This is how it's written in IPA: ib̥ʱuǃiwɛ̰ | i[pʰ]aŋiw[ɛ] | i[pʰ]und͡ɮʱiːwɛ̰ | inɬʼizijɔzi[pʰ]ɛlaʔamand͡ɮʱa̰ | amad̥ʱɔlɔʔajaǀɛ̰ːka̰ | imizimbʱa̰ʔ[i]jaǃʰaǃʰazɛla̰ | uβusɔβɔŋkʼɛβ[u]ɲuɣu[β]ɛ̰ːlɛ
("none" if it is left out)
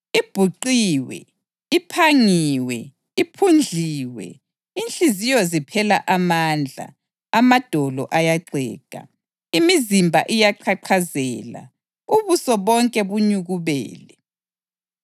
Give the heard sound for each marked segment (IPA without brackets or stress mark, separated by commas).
pʰ, ɛ, pʰ, pʰ, i, u, β